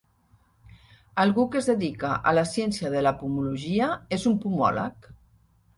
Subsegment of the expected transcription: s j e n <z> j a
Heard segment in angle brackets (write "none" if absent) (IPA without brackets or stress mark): s